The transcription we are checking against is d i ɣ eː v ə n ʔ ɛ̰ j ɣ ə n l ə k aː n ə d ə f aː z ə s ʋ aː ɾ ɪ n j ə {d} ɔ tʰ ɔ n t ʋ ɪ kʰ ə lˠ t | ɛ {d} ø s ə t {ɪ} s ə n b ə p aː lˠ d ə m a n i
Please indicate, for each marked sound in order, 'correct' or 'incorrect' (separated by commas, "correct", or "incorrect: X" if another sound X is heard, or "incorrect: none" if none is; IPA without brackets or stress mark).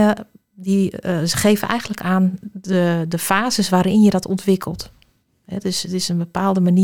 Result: correct, correct, correct